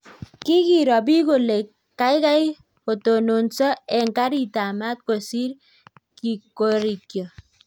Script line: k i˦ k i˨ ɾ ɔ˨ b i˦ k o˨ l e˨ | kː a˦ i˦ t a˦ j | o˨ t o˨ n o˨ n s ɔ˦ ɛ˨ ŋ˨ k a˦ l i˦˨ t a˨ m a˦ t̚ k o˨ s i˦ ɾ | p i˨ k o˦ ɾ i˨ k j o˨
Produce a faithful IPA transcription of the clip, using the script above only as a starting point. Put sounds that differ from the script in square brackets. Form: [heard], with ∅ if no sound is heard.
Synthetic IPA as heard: k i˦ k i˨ ɾ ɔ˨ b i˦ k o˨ l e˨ | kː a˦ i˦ [k] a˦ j | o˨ t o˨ n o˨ n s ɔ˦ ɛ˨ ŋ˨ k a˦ [ɾ] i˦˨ t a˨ m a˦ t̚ k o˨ s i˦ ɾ | [k] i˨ k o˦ ɾ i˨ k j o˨